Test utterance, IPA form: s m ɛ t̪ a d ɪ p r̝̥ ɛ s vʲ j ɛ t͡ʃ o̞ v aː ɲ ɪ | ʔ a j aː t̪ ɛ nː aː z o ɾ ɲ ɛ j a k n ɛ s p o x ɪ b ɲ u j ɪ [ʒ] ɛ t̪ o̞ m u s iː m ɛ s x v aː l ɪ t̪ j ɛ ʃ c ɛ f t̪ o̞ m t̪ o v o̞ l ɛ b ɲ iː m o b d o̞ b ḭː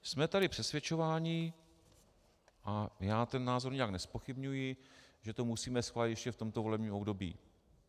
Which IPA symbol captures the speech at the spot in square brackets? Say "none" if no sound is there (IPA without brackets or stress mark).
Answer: ʒ